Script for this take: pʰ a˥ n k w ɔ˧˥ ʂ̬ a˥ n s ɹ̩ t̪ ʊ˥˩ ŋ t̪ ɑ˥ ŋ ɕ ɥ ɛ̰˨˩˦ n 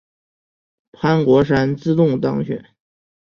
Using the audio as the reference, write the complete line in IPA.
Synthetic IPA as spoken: pʰ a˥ n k w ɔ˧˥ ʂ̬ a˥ n t͡s ɹ̩ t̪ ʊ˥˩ ŋ t̪ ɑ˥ ŋ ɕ ɥ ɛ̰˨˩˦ n

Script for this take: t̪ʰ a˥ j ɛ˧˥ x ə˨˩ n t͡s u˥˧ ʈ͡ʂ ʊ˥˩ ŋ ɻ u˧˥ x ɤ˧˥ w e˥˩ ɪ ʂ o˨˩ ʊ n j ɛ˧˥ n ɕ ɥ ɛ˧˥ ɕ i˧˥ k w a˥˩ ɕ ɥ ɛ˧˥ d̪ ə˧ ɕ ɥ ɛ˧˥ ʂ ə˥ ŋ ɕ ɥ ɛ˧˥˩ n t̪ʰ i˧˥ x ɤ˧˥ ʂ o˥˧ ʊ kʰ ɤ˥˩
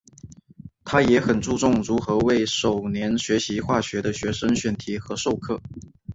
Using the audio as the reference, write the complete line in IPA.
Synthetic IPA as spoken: t̪ʰ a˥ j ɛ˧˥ x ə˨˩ n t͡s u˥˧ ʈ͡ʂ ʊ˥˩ ŋ ɻ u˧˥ x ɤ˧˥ w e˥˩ ɪ ʂ o˨˩ ʊ n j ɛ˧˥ n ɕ ɥ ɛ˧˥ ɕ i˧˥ x w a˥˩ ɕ ɥ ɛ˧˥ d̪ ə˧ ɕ ɥ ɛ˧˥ ʂ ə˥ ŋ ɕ ɥ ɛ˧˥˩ n t̪ʰ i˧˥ x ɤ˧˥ ʂ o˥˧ ʊ kʰ ɤ˥˩

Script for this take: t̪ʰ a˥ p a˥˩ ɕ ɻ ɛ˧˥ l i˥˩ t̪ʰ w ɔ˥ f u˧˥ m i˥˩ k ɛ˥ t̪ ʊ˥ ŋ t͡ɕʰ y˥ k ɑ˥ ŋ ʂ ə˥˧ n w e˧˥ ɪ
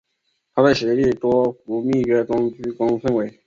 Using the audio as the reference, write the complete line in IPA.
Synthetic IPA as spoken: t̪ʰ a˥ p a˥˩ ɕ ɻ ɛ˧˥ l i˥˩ t̪ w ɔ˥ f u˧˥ m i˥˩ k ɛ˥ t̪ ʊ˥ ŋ t͡ɕ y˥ k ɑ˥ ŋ f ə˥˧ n w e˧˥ ɪ

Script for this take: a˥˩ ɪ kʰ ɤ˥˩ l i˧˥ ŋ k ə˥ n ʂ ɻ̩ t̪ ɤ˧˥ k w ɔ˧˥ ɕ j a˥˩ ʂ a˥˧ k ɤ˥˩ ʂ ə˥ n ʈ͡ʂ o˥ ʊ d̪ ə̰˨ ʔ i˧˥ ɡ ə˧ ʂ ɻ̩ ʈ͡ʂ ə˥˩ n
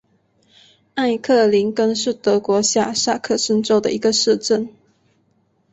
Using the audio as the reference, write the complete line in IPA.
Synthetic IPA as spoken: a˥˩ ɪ kʰ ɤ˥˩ l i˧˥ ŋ k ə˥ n ʂ ɻ̩ t̪ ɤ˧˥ k w ɔ˧˥ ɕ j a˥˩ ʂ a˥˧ kʰ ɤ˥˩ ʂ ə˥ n ʈ͡ʂ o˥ ʊ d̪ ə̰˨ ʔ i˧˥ ɡ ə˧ ʂ ɻ̩ ʈ͡ʂ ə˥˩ n

